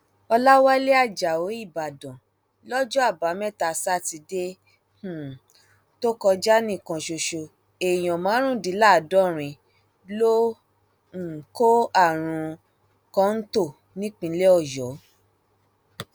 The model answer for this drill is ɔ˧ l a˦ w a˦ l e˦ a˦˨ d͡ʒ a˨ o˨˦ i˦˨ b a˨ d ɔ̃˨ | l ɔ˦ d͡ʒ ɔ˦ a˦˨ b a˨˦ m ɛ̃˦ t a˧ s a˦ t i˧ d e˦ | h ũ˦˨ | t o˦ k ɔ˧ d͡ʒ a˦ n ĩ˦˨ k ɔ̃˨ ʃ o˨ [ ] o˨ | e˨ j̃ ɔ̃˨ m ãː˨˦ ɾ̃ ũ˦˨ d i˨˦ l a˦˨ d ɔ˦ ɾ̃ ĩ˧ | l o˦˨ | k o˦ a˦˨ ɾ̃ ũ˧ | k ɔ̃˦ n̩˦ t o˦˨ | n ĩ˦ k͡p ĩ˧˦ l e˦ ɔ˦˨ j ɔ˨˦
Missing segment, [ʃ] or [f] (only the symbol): ʃ